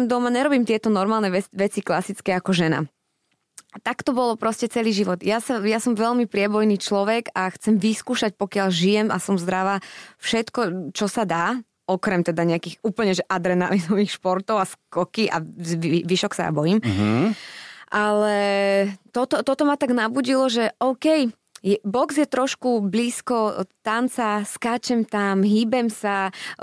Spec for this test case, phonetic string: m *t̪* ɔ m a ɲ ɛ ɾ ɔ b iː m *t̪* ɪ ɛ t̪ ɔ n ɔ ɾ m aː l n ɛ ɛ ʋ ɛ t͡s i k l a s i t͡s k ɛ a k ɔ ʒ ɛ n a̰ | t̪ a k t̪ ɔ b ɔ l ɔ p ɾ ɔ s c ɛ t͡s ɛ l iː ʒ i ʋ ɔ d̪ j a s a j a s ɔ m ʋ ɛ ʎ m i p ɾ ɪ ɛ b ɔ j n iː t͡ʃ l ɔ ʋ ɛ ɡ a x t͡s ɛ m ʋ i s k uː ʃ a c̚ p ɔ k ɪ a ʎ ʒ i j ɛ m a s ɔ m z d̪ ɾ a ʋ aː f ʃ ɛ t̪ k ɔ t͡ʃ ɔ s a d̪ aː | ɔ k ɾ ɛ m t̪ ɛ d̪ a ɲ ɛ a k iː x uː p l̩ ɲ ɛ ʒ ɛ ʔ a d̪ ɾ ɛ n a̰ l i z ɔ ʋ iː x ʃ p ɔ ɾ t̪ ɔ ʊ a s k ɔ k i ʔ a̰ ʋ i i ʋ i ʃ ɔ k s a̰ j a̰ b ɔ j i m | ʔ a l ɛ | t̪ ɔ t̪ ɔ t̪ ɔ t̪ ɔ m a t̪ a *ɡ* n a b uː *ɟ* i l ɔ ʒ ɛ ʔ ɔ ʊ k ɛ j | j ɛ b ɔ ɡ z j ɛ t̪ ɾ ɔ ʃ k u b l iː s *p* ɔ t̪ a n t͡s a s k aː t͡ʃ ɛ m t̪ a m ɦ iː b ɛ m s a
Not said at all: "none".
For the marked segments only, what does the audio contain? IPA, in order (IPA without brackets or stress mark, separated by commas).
d̪, t̪, ɡ, ɟ, k